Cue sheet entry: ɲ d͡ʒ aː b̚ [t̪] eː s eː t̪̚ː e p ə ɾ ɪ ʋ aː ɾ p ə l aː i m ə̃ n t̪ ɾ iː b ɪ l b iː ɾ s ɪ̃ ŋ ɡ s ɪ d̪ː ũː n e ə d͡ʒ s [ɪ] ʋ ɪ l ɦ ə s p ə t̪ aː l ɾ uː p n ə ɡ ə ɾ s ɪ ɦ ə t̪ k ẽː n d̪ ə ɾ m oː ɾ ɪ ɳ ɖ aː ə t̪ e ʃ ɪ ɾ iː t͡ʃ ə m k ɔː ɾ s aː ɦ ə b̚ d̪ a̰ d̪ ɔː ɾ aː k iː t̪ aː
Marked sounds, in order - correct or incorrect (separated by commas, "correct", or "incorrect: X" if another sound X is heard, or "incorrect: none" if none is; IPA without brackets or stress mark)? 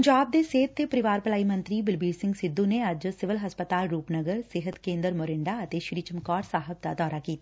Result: incorrect: d̪, correct